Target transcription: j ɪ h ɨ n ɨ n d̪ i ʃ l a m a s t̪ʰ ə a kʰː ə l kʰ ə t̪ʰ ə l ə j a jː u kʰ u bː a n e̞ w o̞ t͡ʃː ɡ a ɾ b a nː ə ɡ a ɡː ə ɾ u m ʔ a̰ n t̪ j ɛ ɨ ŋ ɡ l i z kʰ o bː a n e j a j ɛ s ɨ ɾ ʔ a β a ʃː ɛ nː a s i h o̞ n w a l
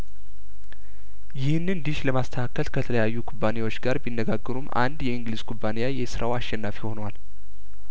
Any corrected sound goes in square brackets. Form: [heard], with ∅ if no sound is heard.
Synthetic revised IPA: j ɪ h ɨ n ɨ n d̪ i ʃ l [ə] m a s t̪ʰ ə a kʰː ə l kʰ ə t̪ʰ ə l ə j a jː u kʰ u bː a n e̞ w o̞ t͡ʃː ɡ a ɾ b [i] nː ə ɡ a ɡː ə ɾ u m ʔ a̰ n [d̪] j ɛ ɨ ŋ ɡ l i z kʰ [u] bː a n e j a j ɛ s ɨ ɾ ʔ a [w] a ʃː ɛ nː a [f] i h o̞ n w a l